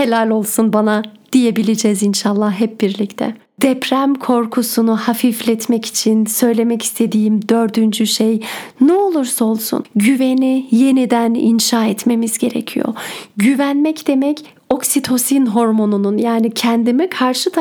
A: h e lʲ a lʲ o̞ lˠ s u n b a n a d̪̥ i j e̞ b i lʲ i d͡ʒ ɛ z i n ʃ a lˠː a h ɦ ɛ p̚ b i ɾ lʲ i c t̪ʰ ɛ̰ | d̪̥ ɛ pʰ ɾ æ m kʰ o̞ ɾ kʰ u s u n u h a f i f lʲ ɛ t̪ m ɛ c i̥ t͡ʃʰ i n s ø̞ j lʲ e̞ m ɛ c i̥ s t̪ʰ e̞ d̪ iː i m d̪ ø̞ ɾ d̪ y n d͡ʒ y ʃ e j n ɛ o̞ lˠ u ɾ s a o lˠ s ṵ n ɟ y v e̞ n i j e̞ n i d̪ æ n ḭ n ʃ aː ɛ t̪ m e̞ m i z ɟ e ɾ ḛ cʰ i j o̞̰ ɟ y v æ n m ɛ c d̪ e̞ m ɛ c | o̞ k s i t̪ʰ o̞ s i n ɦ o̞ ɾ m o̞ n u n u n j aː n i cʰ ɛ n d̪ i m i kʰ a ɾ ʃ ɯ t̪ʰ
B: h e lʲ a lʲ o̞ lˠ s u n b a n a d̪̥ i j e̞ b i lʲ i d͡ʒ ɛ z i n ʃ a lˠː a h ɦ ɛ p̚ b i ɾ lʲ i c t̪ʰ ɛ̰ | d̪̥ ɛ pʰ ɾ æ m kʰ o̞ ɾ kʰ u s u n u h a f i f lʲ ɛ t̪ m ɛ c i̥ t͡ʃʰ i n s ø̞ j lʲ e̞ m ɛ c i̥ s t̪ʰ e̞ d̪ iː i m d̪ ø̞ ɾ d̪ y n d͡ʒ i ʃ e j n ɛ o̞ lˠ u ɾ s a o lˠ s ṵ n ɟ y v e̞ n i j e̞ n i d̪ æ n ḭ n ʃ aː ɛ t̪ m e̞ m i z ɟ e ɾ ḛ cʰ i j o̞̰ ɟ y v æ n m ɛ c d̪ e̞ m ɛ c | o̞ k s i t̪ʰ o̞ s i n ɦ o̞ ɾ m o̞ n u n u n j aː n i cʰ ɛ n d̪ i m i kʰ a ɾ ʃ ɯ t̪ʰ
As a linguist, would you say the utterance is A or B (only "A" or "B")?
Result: A